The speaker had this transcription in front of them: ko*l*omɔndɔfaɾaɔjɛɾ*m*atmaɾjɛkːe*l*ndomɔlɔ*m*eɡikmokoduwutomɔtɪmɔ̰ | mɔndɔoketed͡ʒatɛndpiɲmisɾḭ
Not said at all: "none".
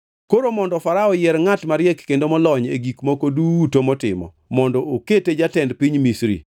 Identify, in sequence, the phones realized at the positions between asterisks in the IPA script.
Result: ɾ, ŋ, none, ɲ

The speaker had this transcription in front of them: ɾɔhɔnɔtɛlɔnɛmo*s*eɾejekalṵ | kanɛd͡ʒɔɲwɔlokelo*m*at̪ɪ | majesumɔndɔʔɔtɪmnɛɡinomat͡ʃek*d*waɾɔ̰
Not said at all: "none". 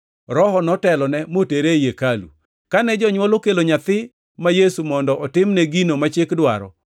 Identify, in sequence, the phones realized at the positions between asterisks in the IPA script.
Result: t, ɲ, d

